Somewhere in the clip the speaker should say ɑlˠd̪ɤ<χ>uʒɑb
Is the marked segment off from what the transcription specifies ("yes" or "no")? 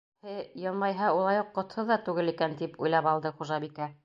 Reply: no